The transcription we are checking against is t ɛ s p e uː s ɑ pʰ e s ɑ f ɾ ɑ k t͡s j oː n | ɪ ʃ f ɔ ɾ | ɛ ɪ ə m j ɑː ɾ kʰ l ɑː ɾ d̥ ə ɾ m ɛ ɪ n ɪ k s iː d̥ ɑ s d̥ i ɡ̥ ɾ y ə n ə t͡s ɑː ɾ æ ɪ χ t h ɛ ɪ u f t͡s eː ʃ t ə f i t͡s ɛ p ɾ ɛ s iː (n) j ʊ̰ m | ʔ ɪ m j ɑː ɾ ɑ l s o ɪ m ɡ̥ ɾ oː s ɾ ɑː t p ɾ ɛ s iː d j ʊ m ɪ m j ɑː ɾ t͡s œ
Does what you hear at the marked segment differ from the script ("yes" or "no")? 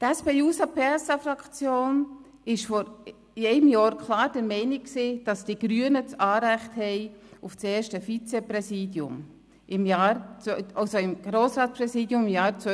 yes